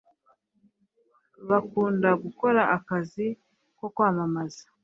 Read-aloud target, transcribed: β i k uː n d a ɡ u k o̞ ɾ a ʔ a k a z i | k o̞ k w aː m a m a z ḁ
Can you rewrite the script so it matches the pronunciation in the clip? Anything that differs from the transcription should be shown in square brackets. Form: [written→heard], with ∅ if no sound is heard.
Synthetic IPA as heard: β [i→a] k uː n d a ɡ u k o̞ ɾ a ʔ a k a z i | k o̞ k w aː m a m a z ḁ